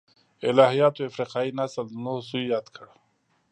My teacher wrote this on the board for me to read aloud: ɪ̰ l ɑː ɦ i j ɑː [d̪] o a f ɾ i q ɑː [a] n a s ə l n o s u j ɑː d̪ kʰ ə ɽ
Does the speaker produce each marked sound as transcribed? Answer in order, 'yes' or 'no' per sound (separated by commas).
no, no